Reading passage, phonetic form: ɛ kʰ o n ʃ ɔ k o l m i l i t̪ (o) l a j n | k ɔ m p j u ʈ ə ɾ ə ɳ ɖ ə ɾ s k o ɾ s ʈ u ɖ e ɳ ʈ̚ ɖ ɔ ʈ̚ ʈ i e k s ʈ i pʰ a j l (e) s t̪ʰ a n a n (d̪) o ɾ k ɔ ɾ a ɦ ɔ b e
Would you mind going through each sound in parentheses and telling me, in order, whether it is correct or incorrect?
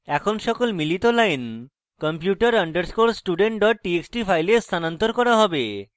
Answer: correct, correct, incorrect: t̪

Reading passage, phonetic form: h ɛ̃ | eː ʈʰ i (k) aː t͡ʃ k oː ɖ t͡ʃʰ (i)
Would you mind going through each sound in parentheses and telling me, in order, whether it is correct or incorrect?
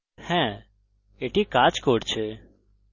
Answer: correct, incorrect: e

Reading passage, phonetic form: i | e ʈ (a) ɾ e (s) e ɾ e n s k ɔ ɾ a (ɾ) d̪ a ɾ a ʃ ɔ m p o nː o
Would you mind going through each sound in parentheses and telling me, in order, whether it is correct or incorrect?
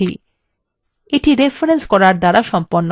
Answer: incorrect: i, incorrect: f, correct

